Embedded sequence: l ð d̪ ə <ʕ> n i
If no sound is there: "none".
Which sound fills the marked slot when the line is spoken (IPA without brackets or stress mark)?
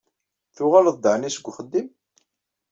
ʕ